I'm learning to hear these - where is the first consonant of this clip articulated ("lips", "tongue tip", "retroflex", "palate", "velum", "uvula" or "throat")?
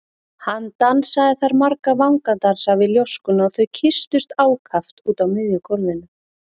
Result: throat